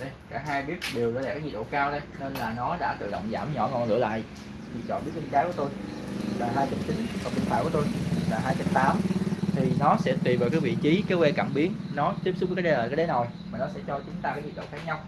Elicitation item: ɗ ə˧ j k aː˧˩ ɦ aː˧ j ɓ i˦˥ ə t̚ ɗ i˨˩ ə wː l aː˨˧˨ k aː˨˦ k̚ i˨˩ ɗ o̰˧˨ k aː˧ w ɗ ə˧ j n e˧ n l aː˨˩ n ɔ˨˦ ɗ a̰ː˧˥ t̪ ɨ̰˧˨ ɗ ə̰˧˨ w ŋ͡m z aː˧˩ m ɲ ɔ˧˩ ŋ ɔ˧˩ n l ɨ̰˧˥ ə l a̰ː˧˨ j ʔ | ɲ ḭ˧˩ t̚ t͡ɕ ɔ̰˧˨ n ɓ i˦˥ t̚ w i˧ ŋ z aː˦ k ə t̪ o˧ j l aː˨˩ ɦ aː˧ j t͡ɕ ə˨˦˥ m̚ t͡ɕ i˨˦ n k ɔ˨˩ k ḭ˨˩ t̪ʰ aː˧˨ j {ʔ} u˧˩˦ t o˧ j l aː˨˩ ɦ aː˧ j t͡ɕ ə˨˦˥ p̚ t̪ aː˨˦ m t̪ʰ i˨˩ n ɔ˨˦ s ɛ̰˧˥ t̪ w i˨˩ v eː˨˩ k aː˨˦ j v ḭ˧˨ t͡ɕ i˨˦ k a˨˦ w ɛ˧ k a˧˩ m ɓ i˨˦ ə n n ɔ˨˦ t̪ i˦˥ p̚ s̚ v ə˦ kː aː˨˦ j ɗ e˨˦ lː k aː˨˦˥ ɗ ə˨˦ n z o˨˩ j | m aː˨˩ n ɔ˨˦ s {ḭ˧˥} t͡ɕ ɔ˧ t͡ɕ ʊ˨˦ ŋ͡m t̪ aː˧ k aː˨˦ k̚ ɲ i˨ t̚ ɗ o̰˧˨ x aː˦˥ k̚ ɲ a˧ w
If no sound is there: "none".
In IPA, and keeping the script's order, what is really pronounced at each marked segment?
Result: k, ɛ̰˧˥

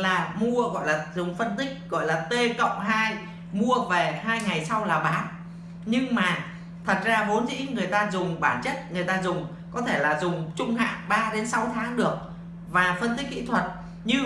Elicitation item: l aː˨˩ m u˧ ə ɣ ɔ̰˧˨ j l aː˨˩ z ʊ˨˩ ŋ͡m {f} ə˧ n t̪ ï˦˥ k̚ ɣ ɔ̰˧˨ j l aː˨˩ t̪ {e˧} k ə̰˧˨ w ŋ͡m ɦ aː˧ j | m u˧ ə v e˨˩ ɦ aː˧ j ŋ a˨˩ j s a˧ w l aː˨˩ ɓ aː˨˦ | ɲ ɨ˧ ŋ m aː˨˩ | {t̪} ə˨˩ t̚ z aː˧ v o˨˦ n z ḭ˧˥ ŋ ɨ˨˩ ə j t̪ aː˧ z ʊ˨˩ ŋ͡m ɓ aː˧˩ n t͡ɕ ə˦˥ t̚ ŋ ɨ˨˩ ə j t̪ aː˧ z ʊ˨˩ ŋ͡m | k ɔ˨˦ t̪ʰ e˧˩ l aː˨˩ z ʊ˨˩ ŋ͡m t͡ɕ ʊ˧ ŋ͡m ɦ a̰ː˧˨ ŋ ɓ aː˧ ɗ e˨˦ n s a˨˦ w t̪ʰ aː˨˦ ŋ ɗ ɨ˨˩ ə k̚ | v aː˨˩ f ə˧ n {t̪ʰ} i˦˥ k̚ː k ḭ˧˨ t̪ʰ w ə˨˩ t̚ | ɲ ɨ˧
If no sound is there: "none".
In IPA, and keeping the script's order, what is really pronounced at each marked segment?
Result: f, e˧, t̪ʰ, t̪

